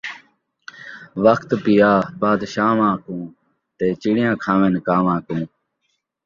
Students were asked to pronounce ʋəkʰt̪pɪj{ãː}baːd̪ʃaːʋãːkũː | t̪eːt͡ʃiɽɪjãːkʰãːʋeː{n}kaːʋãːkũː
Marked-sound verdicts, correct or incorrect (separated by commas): incorrect, correct